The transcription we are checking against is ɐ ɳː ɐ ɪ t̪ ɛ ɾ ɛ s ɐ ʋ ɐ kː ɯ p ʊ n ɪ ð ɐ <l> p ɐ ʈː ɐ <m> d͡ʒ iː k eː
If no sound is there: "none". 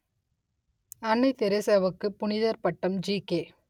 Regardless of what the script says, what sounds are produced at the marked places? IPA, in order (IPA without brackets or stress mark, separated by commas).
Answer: ɾ, m